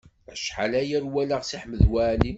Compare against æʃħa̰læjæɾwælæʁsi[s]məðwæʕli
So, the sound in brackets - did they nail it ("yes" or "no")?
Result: no